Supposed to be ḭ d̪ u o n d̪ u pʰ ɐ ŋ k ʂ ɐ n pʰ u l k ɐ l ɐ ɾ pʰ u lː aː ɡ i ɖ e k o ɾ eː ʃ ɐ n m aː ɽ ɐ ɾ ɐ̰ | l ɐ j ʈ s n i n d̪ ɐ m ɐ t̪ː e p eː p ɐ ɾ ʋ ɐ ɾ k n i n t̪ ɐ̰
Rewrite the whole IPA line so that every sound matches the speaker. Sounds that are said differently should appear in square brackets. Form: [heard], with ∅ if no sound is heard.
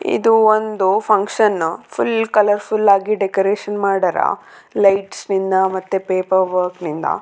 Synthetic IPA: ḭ d̪ u o n d̪ u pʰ ɐ ŋ k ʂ ɐ n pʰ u l k ɐ l ɐ ɾ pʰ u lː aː ɡ i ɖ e k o ɾ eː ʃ ɐ n m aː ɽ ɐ ɾ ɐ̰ | l ɐ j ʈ s n i n d̪ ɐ m ɐ t̪ː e p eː p ɐ ɾ ʋ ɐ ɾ k n i n [d̪] ɐ̰

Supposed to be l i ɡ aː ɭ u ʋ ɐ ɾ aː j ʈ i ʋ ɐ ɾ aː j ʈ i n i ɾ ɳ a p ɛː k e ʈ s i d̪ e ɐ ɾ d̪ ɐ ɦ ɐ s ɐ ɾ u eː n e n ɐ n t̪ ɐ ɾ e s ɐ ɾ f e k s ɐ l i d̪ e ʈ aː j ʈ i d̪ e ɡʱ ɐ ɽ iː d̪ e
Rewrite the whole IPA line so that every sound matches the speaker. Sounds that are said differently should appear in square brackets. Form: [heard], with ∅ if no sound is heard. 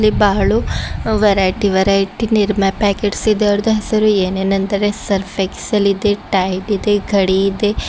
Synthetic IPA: l i [b] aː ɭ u ʋ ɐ ɾ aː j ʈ i ʋ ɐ ɾ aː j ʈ i n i ɾ [m] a p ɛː k e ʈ s i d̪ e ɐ ɾ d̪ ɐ ɦ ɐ s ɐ ɾ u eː n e n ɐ n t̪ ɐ ɾ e s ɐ ɾ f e k s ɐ l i d̪ e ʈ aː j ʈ i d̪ e ɡʱ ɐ ɽ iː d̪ e

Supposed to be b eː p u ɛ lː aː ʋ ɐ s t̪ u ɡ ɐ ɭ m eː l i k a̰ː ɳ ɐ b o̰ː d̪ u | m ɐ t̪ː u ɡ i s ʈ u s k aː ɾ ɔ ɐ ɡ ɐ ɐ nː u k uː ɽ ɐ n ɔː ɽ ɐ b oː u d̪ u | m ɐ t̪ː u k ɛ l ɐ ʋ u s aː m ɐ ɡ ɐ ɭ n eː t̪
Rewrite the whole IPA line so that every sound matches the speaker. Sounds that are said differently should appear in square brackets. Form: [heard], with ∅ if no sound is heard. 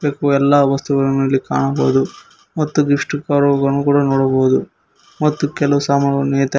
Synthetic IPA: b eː [k] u ɛ lː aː ʋ ɐ s t̪ u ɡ ɐ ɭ m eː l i k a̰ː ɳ ɐ b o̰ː d̪ u | m ɐ t̪ː u ɡ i [ʂ] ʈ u [∅] k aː ɾ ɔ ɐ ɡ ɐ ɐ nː u k uː ɽ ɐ n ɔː ɽ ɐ b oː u d̪ u | m ɐ t̪ː u k ɛ l ɐ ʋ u s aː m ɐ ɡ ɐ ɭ n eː t̪

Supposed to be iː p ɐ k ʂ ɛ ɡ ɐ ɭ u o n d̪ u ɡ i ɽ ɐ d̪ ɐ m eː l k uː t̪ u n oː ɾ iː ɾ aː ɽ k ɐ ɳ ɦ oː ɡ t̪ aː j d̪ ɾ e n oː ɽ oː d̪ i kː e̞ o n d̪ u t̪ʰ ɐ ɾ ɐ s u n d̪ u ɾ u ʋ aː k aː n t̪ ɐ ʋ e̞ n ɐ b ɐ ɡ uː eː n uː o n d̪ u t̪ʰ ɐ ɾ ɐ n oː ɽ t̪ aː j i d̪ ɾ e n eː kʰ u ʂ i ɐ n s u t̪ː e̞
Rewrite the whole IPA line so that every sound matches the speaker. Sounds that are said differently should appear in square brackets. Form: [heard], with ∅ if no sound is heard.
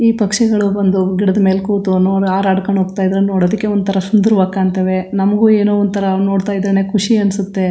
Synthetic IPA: iː p ɐ k ʂ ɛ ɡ ɐ ɭ u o n d̪ u ɡ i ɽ ɐ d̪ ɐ m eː l k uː t̪ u n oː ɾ [aː] ɾ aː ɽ k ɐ ɳ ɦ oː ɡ t̪ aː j d̪ ɾ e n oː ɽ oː d̪ i kː e̞ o n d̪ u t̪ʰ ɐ ɾ ɐ s u n d̪ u ɾ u ʋ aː k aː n t̪ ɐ ʋ e̞ n ɐ [m] ɐ ɡ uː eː n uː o n d̪ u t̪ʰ ɐ ɾ ɐ n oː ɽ t̪ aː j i d̪ ɾ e n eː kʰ u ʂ i ɐ n s u t̪ː e̞

